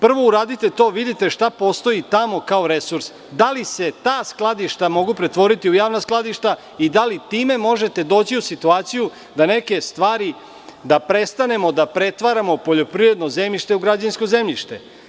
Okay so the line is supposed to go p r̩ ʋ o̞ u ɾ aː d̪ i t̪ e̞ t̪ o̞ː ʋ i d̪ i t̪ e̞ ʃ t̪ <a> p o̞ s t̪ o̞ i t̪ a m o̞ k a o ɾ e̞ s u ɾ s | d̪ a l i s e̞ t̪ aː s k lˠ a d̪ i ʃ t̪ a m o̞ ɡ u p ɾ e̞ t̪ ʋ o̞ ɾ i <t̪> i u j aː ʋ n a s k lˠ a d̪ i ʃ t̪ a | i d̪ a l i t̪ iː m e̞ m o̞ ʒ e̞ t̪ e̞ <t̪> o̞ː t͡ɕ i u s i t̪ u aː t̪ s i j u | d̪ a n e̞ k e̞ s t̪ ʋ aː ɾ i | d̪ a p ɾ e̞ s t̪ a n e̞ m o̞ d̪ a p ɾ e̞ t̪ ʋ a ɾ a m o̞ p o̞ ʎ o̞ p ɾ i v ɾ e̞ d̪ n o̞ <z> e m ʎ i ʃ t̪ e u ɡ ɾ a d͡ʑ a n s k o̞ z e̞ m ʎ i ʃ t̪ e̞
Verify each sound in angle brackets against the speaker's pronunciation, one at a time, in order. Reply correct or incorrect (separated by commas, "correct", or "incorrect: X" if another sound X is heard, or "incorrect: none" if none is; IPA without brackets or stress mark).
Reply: correct, correct, incorrect: d̪, correct